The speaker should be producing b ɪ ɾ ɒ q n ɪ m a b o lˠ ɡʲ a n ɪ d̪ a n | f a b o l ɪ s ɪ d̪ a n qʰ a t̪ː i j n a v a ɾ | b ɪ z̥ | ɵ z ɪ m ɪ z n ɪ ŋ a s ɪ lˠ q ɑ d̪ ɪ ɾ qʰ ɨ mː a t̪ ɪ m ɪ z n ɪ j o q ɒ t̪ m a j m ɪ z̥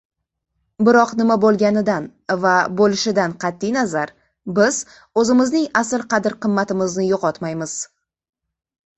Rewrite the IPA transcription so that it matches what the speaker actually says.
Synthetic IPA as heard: b ɪ ɾ ɒ q n ɪ m a b o lˠ ɡʲ a n ɪ d̪ a n | v a b o l ɪ ʃ ɪ d̪ a n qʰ ɑ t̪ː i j n a z a ɾ | b ɪ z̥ | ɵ z ɪ m ɪ z n ɪ ŋ a s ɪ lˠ q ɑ d̪ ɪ ɾ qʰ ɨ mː a t̪ ɪ m ɪ z n ɪ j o q ɒ t̪ m a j m ɪ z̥